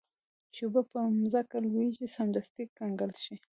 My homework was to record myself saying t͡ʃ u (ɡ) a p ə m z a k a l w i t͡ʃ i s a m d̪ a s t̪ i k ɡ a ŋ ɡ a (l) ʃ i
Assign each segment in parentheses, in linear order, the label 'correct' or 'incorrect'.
incorrect: b, correct

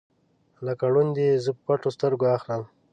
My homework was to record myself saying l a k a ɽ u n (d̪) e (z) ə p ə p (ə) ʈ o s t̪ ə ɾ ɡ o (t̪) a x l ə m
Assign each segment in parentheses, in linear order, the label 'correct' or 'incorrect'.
correct, correct, incorrect: a, incorrect: none

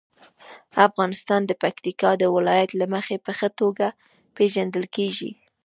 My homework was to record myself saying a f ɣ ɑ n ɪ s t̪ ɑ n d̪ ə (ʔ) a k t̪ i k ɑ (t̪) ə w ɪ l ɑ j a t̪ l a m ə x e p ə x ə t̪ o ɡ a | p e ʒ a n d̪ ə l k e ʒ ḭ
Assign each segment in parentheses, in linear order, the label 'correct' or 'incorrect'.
incorrect: p, incorrect: d̪

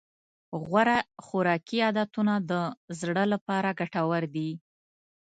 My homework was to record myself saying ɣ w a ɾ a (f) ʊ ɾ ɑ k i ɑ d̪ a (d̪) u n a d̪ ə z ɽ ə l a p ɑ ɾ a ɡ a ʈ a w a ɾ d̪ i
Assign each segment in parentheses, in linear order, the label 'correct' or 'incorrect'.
incorrect: x, incorrect: t̪

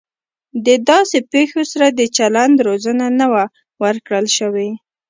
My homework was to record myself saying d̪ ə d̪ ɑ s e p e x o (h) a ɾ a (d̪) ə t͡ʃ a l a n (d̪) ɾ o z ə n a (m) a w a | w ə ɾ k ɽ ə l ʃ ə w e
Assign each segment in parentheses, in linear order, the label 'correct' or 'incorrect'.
incorrect: s, correct, correct, incorrect: n

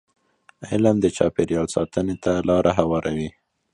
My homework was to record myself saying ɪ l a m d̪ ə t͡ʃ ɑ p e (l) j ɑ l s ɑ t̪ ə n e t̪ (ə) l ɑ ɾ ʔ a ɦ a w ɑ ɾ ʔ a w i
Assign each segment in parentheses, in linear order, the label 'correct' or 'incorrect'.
incorrect: ɾ, incorrect: a

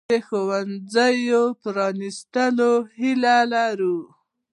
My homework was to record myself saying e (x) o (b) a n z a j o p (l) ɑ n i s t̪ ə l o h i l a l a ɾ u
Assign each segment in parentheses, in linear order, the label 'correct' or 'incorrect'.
correct, incorrect: w, incorrect: ɾ

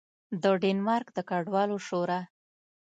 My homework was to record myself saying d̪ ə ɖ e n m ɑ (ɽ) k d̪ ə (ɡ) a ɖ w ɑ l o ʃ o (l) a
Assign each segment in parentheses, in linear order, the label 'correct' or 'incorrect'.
incorrect: ɾ, incorrect: k, incorrect: ɾ

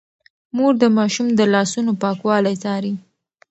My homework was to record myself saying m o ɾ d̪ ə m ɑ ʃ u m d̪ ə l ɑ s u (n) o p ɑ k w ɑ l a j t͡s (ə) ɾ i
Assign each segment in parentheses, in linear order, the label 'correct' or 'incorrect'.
correct, incorrect: ɑ

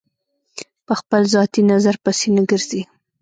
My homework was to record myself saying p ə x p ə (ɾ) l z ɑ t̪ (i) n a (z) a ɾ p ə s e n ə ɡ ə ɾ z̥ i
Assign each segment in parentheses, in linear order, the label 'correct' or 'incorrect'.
incorrect: none, correct, correct

